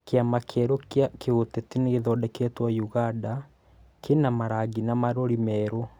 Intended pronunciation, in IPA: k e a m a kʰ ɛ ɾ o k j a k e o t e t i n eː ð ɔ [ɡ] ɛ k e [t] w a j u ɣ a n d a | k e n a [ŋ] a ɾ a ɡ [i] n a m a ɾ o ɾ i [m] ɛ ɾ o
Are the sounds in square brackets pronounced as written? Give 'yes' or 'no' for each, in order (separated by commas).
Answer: no, yes, no, yes, yes